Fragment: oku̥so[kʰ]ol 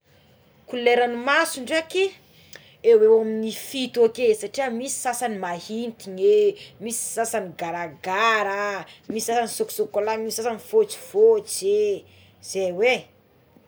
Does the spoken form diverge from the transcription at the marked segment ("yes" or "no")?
yes